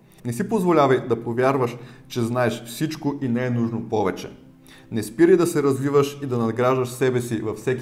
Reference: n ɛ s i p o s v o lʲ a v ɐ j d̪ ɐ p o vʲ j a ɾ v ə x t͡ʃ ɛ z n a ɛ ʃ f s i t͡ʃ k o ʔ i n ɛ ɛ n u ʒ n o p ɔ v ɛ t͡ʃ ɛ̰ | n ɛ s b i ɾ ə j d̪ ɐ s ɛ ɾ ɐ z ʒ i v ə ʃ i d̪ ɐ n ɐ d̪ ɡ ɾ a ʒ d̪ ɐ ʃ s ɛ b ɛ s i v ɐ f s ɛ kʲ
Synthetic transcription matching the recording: n ɛ s i p o z v o lʲ a v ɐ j d̪ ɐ p o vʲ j a ɾ v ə ʃ t͡ʃ ɛ z n a ɛ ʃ f s i t͡ʃ k o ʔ i n ɛ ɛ n u ʒ n o p ɔ v ɛ t͡ʃ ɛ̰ | n ɛ s p i ɾ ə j d̪ ɐ s ɛ ɾ ɐ z v i v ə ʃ i d̪ ɐ n ɐ d̪ ɡ ɾ a ʒ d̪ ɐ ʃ s ɛ b ɛ s i v ɐ f s ɛ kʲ